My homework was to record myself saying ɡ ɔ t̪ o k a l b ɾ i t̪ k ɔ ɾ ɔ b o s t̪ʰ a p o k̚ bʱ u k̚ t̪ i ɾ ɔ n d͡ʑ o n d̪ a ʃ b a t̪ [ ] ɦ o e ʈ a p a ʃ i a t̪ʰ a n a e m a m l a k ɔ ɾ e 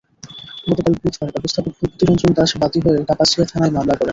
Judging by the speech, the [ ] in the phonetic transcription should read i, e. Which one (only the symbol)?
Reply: i